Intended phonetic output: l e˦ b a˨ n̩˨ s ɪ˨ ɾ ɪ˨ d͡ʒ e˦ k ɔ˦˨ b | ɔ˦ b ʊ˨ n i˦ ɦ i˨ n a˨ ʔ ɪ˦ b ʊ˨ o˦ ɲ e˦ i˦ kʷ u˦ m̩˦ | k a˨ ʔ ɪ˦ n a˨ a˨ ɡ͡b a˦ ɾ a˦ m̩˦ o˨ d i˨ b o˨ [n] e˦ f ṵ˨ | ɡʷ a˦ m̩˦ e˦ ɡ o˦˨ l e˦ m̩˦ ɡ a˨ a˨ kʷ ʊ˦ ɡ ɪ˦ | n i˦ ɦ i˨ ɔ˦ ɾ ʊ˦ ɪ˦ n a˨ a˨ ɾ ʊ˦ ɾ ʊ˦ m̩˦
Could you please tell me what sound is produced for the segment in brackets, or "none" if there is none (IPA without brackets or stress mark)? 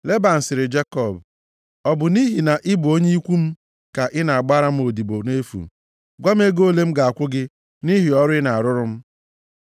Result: n